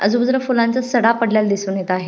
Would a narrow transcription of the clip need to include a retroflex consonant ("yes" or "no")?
yes